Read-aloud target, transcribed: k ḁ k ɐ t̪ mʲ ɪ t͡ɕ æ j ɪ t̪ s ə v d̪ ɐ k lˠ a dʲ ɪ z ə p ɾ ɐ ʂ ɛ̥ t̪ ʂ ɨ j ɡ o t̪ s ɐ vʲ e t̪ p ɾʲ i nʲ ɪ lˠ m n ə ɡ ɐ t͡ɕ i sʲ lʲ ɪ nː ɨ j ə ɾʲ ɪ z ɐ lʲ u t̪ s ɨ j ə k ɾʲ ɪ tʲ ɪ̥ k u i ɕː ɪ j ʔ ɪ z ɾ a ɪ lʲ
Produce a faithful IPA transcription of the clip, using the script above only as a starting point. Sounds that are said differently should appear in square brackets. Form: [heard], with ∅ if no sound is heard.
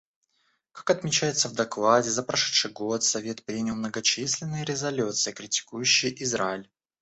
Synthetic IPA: k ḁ k ɐ t̪ mʲ ɪ t͡ɕ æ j ɪ t̪ s ə v d̪ ɐ k lˠ a dʲ ɪ z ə p ɾ ɐ ʂ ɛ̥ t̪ ʂ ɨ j ɡ o t̪ s ɐ vʲ e t̪ p ɾʲ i nʲ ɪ lˠ m n ə ɡ ɐ t͡ɕ i sʲ lʲ ɪ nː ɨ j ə ɾʲ ɪ z ɐ lʲ u t̪ s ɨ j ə k ɾʲ ɪ tʲ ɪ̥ k u [j] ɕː ɪ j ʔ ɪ z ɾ a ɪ lʲ

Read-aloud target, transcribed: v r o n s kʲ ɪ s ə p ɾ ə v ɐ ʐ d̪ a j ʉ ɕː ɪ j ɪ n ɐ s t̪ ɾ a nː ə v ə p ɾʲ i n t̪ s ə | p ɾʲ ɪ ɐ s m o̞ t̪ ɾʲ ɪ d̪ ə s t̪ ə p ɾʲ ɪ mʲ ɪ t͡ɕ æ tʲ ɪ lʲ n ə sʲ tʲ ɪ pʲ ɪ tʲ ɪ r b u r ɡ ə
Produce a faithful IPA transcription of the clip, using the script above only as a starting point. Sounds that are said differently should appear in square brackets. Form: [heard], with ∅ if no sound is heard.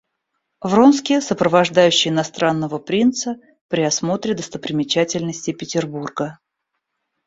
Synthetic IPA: v r o n s kʲ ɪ s ə p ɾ ə v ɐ ʐ d̪ a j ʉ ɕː ɪ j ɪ n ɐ s t̪ ɾ a nː ə v ə p ɾʲ i n t̪ s ə | p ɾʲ ɪ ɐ s m o̞ t̪ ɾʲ ɪ d̪ ə s t̪ ə p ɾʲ ɪ mʲ ɪ t͡ɕ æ tʲ ɪ lʲ n ə sʲ tʲ ɪ pʲ ɪ tʲ ɪ r b u r ɡ ə

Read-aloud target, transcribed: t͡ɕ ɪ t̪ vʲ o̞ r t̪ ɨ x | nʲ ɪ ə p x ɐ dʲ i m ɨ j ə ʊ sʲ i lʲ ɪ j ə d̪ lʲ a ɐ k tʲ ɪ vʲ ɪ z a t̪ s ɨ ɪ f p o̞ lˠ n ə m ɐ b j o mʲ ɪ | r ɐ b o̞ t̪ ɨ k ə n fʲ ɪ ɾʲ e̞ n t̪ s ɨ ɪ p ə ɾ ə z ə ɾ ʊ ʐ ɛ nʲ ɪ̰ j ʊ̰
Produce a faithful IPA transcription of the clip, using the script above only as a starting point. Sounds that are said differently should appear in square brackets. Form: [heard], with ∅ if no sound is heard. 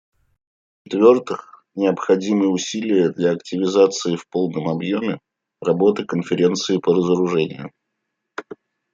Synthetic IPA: t͡ɕ ɪ t̪ vʲ o̞ r t̪ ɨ x | nʲ ɪ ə p x ɐ dʲ i m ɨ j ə ʊ sʲ i lʲ ɪ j ə d̪ lʲ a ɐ k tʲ ɪ vʲ ɪ z a t̪ s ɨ ɪ f p o̞ lˠ n ə m ɐ b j o mʲ ɪ | r ɐ b o̞ t̪ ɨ k ə n fʲ ɪ ɾʲ e̞ n t̪ s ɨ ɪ p ə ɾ ə z ə ɾ ʊ ʐ ɛ nʲ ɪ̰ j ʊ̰

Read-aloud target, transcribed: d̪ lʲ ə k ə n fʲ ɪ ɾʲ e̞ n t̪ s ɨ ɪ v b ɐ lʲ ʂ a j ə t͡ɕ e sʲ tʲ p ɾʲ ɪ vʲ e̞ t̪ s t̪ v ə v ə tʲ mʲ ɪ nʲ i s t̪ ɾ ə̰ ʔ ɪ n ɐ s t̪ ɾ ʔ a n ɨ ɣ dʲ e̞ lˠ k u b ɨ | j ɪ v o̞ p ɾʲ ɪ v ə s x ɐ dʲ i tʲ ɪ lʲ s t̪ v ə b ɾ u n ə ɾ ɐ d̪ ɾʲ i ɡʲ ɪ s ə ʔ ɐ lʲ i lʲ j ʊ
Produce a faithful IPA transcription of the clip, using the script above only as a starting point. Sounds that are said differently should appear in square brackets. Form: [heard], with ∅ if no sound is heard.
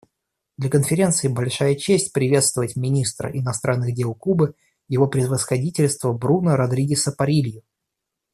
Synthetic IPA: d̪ lʲ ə k ə n fʲ ɪ ɾʲ e̞ n t̪ s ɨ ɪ [∅] b ɐ lʲ ʂ a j ə t͡ɕ e sʲ tʲ p ɾʲ ɪ vʲ e̞ t̪ s t̪ v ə v ə tʲ mʲ ɪ nʲ i s t̪ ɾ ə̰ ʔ ɪ n ɐ s t̪ ɾ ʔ a [nː] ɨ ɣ dʲ e̞ lˠ k u b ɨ | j ɪ v o̞ p ɾʲ ɪ v ə s x ɐ dʲ i tʲ ɪ lʲ s t̪ v ə b ɾ u n ə ɾ ɐ d̪ ɾʲ i ɡʲ ɪ s ə [p] ɐ [ɾʲ] i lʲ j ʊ

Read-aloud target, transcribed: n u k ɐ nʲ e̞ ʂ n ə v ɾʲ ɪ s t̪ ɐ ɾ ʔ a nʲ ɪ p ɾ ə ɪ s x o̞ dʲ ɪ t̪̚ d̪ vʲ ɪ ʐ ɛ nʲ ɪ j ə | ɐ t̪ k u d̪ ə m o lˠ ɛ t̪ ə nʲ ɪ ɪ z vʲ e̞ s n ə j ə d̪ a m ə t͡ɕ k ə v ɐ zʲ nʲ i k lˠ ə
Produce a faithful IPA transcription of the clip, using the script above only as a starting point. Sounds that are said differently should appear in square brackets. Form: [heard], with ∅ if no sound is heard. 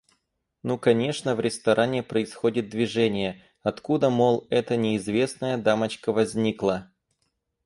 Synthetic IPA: n u k ɐ nʲ e̞ ʂ n ə v ɾʲ ɪ s t̪ ɐ ɾ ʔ a nʲ ɪ p ɾ ə ɪ s x o̞ dʲ ɪ t̪̚ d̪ vʲ ɪ ʐ ɛ nʲ ɪ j ə | ɐ t̪ k u d̪ ə m o lˠ ɛ t̪ ə nʲ ɪ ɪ z vʲ e̞ s n ə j ə d̪ a m ə t͡ɕ k ə v ɐ zʲ nʲ i k lˠ ə

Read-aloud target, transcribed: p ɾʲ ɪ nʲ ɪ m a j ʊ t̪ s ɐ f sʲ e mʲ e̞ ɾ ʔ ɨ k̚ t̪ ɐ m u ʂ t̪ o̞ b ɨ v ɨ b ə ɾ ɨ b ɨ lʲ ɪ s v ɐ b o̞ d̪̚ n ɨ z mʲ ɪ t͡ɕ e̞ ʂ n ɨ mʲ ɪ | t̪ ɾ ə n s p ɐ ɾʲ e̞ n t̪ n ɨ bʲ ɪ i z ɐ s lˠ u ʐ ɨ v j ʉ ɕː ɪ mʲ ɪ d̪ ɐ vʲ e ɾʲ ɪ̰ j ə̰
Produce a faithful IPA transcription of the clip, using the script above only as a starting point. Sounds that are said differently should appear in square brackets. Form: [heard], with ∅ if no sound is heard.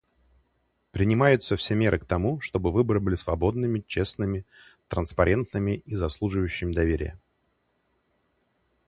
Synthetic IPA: p ɾʲ ɪ nʲ ɪ m a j ʊ t̪ s [ə] f sʲ e mʲ e̞ ɾ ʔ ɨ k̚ t̪ ɐ m u ʂ t̪ o̞ b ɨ v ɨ b ə ɾ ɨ b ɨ lʲ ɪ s v ɐ b o̞ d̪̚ n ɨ [∅] mʲ ɪ t͡ɕ e̞ [s] n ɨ mʲ ɪ | t̪ ɾ ə n s p ɐ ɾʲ e̞ n t̪ n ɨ [mʲ] ɪ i z ɐ s lˠ u ʐ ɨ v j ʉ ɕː ɪ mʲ ɪ d̪ ɐ vʲ e ɾʲ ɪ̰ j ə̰

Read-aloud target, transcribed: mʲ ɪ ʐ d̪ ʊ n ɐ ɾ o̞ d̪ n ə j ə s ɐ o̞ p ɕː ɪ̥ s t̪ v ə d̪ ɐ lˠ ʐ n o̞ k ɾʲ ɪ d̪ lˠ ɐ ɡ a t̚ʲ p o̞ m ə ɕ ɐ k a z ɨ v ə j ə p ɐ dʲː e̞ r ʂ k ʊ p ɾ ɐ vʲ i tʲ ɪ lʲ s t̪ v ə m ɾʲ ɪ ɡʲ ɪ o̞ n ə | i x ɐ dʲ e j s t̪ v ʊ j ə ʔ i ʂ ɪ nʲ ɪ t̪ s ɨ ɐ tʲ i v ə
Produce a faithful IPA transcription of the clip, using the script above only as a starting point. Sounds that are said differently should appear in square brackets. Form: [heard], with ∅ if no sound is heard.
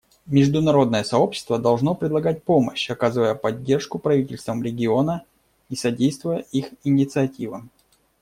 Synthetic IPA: mʲ ɪ ʐ d̪ ʊ n ɐ ɾ o̞ d̪ n ə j ə s ɐ o̞ p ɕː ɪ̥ s t̪ v ə d̪ ɐ lˠ ʐ n o̞ [p] ɾʲ ɪ d̪ lˠ ɐ ɡ a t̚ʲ p o̞ m ə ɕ ɐ k a z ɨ v ə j ə p ɐ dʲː e̞ r ʂ k ʊ p ɾ ɐ vʲ i tʲ ɪ lʲ s t̪ v ə m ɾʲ ɪ ɡʲ ɪ o̞ n ə | i [s] ɐ dʲ e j s t̪ v ʊ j ə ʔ i [x] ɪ nʲ ɪ t̪ s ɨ ɐ tʲ i v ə

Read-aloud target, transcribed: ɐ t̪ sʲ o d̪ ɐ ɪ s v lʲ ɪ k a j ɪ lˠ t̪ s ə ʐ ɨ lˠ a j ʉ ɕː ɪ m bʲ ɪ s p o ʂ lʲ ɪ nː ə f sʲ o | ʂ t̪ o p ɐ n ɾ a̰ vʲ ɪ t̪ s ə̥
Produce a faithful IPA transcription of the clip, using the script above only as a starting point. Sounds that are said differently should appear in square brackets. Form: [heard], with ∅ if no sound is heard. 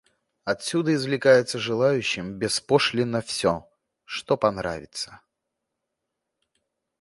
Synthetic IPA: ɐ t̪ sʲ [u] d̪ [ə] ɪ [z] v lʲ ɪ k a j ɪ [∅] t̪ s ə ʐ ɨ lˠ a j ʉ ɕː ɪ m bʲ ɪ s p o ʂ lʲ ɪ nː ə f sʲ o | ʂ t̪ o p ɐ n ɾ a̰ vʲ ɪ t̪ s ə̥

